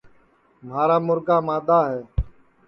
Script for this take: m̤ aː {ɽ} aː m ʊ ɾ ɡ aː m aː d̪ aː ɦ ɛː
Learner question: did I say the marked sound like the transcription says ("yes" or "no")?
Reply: no